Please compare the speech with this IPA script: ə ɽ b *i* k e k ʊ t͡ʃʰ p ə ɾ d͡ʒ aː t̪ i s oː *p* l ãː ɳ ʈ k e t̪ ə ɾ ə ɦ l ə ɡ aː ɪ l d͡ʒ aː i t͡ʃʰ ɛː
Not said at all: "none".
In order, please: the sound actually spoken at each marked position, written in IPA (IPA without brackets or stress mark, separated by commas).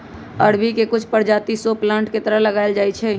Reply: i, p